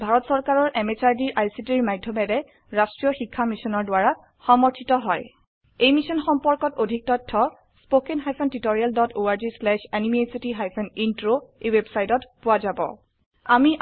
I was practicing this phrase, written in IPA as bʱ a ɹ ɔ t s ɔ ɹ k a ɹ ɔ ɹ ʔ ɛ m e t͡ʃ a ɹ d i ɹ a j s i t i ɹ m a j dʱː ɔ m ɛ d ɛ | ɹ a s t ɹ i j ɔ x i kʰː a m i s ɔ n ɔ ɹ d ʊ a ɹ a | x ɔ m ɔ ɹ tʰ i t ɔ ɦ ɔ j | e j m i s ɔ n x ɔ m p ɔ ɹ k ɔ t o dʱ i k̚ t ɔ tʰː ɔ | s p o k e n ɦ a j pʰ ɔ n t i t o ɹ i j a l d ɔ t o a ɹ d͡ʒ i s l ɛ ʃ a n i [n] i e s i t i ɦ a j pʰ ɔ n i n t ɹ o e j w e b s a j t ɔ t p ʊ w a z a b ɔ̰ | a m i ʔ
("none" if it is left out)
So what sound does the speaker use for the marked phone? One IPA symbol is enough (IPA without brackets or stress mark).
m